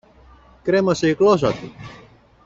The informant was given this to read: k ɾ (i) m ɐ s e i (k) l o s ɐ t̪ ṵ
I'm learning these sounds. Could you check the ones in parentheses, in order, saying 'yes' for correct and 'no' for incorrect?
no, yes

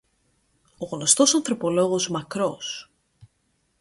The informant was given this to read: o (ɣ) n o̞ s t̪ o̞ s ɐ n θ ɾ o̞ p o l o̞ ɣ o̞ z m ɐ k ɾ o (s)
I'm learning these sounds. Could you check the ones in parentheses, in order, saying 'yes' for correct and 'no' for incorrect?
yes, yes

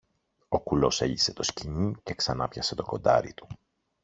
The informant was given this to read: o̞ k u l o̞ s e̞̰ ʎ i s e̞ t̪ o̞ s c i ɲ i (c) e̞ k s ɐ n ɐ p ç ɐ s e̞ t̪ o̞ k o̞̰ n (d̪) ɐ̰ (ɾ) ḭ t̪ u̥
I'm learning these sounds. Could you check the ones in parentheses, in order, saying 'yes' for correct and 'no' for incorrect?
yes, yes, yes

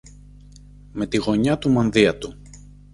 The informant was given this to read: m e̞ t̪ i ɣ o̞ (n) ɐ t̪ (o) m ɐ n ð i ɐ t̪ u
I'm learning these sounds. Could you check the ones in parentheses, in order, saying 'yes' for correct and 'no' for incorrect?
no, no

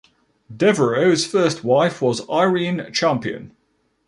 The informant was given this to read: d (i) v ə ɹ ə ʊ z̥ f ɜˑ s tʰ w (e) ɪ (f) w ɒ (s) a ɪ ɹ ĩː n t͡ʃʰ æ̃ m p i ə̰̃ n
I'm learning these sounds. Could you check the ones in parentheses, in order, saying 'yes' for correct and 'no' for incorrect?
no, no, yes, no

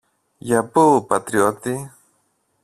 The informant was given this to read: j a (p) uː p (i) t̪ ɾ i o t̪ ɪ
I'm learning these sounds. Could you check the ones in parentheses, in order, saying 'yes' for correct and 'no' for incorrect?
yes, no

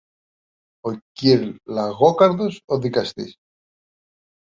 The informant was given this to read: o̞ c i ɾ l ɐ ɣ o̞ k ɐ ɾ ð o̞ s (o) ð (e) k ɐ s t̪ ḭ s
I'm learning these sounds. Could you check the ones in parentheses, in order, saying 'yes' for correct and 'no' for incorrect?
yes, no

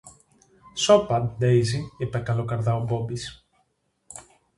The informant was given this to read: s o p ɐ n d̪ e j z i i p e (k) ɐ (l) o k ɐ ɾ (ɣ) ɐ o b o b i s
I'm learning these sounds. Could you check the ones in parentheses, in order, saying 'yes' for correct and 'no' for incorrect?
yes, yes, no

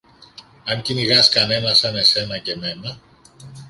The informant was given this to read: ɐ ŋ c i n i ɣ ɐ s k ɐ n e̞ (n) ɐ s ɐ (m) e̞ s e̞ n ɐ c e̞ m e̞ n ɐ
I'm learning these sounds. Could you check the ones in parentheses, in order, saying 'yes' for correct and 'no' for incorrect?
yes, no

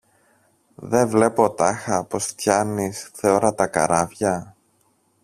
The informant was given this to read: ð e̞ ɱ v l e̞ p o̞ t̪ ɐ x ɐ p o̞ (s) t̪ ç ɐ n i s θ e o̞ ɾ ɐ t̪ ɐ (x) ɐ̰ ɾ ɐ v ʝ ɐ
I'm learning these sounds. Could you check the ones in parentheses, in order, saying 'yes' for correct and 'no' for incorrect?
yes, no

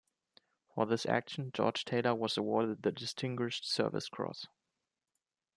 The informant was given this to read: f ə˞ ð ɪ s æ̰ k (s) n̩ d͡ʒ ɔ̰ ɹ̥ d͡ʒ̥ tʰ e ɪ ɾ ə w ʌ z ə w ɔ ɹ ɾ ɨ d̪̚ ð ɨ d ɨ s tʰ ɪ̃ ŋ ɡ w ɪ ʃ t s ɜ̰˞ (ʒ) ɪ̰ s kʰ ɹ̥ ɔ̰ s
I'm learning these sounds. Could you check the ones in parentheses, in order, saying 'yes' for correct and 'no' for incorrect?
no, no

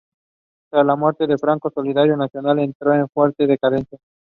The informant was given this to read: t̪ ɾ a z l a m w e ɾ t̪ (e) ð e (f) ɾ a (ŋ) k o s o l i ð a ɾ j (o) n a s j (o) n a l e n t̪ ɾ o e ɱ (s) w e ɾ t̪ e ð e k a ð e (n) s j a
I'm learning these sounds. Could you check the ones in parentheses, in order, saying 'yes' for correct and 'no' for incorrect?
yes, yes, yes, yes, yes, no, yes

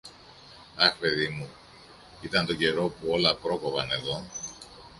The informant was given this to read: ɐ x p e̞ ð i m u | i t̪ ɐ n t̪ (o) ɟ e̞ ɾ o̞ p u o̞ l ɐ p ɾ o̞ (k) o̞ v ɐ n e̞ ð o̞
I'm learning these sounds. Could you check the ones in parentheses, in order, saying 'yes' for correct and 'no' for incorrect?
yes, yes

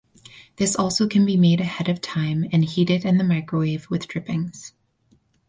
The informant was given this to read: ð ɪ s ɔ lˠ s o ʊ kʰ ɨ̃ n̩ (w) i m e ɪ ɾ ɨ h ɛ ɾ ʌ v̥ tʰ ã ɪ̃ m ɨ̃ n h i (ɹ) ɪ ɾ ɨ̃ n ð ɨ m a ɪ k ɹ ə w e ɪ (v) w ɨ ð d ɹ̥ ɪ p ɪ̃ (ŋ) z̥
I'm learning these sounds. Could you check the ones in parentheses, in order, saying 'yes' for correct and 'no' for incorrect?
no, no, yes, yes

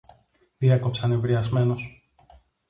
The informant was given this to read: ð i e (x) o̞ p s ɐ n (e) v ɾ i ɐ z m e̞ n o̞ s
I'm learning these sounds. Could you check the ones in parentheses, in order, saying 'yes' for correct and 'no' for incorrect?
no, yes

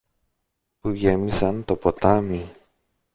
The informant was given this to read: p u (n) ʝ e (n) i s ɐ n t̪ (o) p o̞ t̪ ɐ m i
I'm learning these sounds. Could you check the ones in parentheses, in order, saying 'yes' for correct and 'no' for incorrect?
no, no, yes

